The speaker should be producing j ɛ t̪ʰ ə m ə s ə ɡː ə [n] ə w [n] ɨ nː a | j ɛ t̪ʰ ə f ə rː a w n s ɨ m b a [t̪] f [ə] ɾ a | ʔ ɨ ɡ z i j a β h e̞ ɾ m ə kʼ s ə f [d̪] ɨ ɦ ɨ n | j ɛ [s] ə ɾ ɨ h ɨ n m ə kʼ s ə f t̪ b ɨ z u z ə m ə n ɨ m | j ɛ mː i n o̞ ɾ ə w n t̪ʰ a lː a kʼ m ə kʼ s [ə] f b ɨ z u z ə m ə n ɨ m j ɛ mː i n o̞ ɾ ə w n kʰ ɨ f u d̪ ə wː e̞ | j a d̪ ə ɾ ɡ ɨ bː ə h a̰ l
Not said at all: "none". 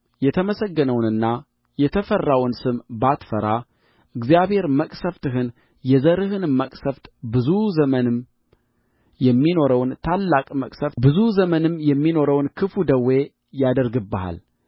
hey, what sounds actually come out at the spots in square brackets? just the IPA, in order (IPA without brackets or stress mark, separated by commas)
n, n, t̪, ə, t̪, z, ə